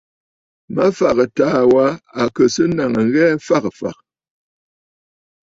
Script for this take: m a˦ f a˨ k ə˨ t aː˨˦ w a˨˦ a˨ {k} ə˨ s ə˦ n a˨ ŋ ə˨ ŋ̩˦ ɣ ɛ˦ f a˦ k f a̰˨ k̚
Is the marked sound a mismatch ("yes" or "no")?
no